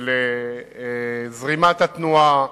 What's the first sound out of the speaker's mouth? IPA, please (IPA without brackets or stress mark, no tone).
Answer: l